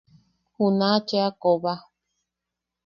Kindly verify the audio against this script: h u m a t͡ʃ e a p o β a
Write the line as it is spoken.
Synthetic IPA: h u n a t͡ʃ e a k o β a